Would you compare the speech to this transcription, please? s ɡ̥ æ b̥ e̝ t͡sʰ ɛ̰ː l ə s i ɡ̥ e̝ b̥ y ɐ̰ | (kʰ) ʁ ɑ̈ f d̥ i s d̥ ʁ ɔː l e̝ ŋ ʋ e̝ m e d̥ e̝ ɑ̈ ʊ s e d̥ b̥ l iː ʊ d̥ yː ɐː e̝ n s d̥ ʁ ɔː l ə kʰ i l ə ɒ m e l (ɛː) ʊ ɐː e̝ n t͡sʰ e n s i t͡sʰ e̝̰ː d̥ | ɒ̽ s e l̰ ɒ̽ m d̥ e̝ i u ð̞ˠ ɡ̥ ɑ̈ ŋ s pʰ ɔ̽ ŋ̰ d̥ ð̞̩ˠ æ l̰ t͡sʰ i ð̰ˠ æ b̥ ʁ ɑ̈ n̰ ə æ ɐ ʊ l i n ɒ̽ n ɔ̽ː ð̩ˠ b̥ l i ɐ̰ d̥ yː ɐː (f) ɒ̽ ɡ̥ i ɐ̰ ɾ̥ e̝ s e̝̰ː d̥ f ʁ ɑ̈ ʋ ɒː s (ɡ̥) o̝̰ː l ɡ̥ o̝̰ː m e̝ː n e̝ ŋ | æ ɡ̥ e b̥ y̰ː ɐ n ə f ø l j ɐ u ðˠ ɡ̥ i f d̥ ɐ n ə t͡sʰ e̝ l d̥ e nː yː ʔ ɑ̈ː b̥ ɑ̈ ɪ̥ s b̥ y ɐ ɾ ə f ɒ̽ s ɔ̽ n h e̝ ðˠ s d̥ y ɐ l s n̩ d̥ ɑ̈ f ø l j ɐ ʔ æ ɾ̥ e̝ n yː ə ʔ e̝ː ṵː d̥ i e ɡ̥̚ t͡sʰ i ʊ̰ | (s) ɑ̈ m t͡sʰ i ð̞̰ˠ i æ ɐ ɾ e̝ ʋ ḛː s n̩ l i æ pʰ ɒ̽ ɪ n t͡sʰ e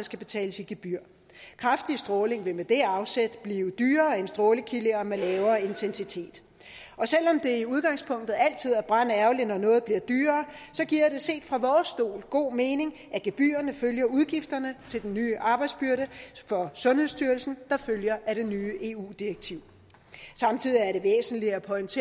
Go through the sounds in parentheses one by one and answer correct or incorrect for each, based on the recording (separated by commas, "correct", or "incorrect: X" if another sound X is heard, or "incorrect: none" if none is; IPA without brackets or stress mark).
correct, correct, incorrect: s, incorrect: d̥, correct